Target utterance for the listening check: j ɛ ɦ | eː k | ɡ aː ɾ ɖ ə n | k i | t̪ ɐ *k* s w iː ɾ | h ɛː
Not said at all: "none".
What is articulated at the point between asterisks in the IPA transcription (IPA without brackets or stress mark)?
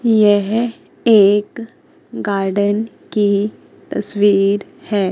none